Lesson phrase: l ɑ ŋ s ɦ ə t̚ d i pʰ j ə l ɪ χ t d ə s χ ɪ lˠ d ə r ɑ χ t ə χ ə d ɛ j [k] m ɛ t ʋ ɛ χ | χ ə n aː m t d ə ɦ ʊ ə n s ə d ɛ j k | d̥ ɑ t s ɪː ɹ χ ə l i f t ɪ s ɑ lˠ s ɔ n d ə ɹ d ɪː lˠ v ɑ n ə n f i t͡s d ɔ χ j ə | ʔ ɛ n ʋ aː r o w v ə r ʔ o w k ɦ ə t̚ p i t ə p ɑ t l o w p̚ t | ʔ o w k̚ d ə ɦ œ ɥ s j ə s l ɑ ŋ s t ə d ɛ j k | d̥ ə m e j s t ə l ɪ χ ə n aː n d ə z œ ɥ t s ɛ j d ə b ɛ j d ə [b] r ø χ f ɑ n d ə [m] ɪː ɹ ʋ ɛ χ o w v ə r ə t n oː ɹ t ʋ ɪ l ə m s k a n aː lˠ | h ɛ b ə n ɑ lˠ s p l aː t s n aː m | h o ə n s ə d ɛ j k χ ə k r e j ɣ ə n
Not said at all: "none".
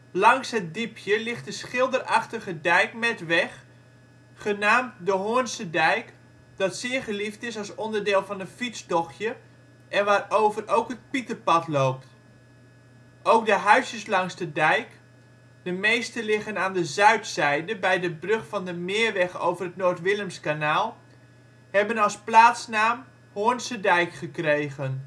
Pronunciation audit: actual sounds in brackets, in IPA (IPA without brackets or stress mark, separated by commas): k, b, m